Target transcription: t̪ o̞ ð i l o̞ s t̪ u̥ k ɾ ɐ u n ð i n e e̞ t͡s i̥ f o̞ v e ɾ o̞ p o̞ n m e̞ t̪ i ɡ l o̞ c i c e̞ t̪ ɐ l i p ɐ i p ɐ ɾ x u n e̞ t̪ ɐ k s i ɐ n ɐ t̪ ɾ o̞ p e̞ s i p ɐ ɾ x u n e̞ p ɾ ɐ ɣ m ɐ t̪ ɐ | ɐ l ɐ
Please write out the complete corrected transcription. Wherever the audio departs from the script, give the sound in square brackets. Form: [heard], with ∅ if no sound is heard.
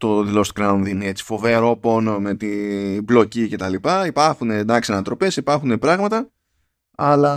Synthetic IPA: t̪ o̞ ð i l o̞ s t̪ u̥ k ɾ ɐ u n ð i n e e̞ t͡s i̥ f o̞ v e ɾ o̞ p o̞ n m e̞ t̪ i [b] l o̞ c i c e̞ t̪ ɐ l i p ɐ i p ɐ ɾ x u n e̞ [d̪] ɐ k s i ɐ n ɐ t̪ ɾ o̞ p e̞ s i p ɐ ɾ x u n e̞ p ɾ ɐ ɣ m ɐ t̪ ɐ | ɐ l ɐ